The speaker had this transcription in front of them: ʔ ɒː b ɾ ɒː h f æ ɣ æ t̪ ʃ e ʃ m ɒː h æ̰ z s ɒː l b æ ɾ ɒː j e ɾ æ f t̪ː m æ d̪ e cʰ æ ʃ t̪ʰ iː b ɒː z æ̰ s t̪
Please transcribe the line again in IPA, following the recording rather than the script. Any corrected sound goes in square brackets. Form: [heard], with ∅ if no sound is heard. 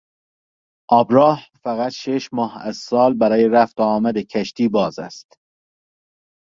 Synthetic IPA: ʔ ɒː b ɾ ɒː h f æ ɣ æ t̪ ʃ e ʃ m ɒː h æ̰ z s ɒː l b æ ɾ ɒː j e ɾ æ f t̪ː m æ d̪ e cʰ æ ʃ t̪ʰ iː b ɒː z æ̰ s t̪